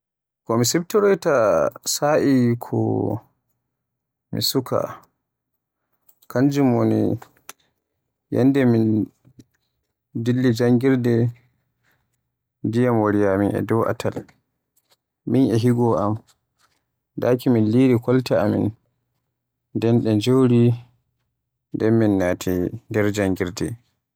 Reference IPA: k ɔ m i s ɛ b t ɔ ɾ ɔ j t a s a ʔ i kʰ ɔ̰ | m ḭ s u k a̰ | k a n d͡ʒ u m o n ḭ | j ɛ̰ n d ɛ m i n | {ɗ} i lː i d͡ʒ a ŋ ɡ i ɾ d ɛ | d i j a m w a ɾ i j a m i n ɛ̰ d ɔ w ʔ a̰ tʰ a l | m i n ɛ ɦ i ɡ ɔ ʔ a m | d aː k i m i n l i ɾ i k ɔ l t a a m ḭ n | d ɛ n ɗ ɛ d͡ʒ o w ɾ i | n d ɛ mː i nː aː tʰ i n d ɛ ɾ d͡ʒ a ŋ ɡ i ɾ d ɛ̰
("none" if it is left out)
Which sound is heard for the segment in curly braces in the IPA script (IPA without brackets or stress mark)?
d